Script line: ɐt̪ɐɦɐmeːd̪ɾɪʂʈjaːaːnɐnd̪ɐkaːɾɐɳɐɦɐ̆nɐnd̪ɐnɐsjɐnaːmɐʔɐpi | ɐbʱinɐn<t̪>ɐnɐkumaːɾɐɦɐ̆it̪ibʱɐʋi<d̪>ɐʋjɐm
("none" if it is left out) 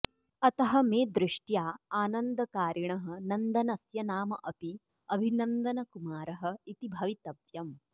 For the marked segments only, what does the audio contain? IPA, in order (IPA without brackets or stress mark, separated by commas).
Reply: d̪, t̪